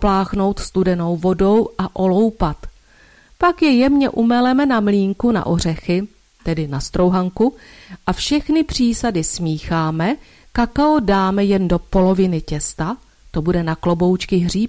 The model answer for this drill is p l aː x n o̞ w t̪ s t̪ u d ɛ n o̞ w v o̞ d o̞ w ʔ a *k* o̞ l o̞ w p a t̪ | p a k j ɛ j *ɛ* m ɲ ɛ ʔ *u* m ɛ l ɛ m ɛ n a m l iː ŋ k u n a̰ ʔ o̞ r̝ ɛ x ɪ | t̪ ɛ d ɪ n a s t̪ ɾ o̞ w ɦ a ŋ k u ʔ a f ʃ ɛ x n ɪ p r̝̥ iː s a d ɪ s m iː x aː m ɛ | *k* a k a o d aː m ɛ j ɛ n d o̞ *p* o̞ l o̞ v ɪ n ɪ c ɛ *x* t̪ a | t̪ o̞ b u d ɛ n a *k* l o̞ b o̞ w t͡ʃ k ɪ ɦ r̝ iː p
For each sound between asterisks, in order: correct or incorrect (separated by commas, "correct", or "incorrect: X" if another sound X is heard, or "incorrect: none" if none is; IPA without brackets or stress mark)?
incorrect: ʔ, correct, correct, correct, correct, incorrect: s, correct